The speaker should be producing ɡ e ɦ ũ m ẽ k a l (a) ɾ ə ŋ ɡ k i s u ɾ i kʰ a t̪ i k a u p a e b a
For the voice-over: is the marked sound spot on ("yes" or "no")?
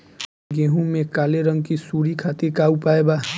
no